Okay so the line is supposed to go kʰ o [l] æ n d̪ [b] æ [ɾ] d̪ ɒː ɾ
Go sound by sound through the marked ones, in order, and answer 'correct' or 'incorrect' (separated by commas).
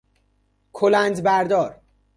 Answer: correct, correct, correct